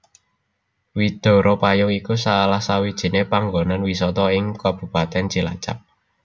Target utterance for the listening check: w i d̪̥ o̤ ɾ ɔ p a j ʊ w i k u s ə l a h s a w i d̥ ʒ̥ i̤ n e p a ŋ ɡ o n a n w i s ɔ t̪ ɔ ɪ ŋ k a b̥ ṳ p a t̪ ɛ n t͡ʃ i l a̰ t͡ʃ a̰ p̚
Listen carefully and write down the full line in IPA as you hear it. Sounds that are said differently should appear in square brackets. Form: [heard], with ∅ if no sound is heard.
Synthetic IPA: w i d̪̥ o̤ ɾ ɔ p a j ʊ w i k u s [a] l a h s a w i d̥ ʒ̥ i̤ n e p a ŋ ɡ o n a n w i s ɔ t̪ ɔ ɪ ŋ k a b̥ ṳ p a t̪ ɛ n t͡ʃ i l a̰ t͡ʃ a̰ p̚